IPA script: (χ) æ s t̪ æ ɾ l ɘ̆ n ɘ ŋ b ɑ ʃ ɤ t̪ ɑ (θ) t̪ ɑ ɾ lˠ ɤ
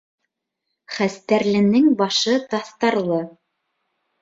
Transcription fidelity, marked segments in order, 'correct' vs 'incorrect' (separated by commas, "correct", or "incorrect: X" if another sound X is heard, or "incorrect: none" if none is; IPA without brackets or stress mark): correct, correct